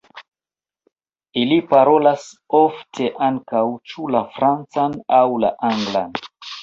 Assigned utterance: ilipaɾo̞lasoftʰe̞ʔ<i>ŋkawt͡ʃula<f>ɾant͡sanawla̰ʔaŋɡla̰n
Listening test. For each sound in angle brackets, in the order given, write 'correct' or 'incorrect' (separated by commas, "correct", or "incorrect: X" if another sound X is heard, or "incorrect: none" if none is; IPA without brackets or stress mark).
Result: incorrect: a, correct